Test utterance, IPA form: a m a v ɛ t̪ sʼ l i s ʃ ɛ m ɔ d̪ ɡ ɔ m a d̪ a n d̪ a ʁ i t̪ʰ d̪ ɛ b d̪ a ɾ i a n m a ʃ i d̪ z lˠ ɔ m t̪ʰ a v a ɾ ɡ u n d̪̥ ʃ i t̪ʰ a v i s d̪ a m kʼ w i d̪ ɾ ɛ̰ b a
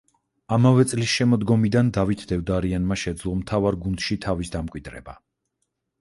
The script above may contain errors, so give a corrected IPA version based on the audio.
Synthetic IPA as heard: a m a v ɛ t̪ sʼ l i s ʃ ɛ m ɔ d̪ ɡ ɔ m i d̪ a n d̪ a v i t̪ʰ d̪ ɛ v d̪ a ɾ i a n m a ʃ ɛ d̪ z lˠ ɔ m t̪ʰ a v a ɾ ɡ u n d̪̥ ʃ i t̪ʰ a v i s d̪ a m kʼ w i d̪ ɾ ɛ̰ b a